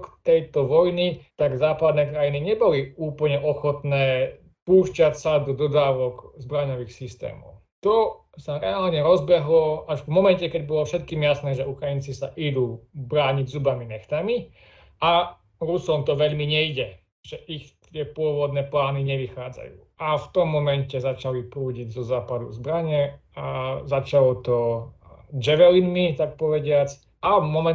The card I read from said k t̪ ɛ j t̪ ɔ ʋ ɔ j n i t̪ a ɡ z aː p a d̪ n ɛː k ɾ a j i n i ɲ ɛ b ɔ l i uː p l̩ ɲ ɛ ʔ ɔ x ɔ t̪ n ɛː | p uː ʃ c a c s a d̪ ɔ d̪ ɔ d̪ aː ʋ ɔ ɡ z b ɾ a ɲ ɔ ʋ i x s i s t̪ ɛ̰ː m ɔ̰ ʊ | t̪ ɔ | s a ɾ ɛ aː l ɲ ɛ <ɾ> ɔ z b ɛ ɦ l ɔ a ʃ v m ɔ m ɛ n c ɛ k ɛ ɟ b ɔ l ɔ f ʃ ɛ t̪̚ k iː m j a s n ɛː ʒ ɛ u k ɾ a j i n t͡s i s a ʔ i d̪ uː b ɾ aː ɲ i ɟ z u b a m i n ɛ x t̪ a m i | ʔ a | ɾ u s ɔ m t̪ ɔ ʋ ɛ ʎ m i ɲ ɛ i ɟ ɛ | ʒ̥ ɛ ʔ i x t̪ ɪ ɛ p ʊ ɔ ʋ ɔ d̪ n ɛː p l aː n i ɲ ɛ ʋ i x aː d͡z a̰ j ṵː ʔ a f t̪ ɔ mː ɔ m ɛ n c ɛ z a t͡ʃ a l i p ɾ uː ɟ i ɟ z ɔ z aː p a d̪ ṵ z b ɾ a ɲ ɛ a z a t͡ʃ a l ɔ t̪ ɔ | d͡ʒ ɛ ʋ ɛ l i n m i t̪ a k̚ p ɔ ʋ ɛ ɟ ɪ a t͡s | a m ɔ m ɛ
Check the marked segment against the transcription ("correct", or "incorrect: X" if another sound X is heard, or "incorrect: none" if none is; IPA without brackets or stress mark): correct